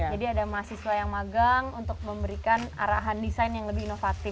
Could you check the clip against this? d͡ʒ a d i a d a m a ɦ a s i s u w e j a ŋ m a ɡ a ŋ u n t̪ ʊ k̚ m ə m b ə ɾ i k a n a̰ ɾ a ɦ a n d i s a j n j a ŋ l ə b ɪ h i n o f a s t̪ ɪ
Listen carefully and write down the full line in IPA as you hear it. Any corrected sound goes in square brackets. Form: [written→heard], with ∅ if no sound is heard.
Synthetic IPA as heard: d͡ʒ a d i a d a m a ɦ a s i s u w [e→a] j a ŋ m a ɡ a ŋ u n t̪ ʊ k̚ m ə m b ə ɾ i k a n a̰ ɾ a ɦ a n d i s a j n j a ŋ l ə b ɪ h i n o f a [s→∅] t̪ ɪ